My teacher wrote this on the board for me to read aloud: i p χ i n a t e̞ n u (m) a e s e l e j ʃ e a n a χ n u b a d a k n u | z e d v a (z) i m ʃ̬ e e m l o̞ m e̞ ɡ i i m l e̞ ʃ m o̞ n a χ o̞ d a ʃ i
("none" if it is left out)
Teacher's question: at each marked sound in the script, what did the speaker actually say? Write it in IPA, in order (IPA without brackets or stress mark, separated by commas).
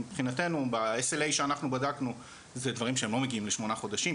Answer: b, ʁ